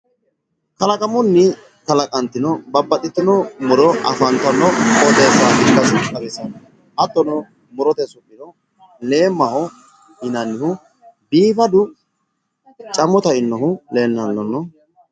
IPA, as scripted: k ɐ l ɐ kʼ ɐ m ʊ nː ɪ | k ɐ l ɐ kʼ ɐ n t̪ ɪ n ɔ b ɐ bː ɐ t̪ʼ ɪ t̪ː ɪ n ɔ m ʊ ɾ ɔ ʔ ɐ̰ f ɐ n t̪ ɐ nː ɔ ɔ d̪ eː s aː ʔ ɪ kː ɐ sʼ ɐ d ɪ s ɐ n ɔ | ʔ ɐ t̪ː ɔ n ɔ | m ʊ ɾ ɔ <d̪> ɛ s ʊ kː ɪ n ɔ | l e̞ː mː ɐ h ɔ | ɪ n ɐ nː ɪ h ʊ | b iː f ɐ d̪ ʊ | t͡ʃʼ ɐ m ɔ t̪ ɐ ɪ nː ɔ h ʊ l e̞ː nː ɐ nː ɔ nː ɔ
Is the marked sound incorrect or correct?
incorrect